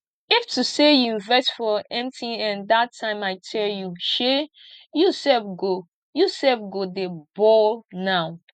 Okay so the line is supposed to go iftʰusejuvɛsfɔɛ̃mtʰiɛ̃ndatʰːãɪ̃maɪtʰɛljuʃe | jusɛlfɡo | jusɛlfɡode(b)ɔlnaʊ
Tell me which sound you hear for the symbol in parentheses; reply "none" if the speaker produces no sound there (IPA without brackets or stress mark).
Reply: b